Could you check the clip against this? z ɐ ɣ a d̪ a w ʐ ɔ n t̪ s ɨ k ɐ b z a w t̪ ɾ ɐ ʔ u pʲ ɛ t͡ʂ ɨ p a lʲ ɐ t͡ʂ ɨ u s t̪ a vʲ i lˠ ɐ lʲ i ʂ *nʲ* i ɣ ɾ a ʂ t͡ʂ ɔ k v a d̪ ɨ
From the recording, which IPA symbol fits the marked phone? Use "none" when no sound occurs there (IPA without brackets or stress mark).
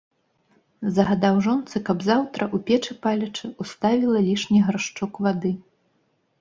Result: nʲ